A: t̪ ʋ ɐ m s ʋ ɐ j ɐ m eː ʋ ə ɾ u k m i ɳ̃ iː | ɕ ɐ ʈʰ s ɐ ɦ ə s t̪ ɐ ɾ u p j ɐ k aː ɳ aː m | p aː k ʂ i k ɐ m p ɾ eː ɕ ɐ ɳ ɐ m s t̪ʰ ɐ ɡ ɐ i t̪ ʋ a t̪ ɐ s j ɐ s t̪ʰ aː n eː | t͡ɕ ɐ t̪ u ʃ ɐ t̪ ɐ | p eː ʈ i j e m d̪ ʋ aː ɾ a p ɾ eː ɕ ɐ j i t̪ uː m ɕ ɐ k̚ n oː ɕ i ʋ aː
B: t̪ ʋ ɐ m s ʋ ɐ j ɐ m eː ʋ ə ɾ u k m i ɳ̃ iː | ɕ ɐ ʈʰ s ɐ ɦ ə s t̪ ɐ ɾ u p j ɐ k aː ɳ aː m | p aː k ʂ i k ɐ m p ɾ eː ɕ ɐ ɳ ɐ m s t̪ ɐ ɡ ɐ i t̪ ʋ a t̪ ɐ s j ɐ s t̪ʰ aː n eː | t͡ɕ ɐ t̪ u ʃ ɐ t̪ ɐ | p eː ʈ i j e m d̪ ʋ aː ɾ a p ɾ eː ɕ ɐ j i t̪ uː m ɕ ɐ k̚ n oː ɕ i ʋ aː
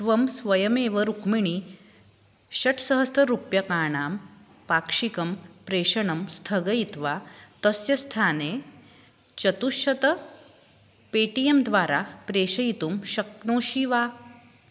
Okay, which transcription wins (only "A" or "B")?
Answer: A